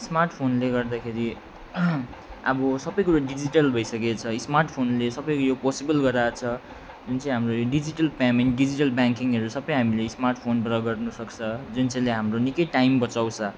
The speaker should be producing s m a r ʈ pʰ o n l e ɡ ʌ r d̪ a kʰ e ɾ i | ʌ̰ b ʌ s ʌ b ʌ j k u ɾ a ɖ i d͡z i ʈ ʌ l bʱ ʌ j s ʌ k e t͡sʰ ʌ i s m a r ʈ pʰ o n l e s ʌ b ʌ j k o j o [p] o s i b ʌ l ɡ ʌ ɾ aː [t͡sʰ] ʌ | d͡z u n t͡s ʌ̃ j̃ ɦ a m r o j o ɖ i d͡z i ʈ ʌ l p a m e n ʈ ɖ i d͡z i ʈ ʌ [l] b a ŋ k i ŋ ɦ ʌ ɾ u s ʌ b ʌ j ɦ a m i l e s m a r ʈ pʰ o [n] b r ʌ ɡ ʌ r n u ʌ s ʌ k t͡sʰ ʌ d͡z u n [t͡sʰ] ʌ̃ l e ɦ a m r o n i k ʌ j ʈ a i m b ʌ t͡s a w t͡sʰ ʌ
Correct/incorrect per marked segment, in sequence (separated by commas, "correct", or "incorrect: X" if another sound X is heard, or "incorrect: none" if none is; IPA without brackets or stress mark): correct, correct, correct, correct, incorrect: t͡s